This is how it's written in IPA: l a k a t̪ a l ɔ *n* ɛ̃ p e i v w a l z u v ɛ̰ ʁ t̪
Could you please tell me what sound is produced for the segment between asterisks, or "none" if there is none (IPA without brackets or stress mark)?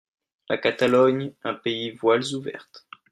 ɲ